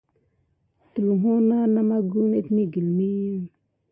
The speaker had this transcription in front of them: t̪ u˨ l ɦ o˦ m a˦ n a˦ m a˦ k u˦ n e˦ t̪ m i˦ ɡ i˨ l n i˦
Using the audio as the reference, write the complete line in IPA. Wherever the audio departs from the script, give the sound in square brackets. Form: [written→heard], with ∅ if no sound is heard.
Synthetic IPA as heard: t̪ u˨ l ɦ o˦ [m→n] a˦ n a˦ m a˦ [k→ɡ] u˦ n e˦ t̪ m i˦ ɡ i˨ l [n→m] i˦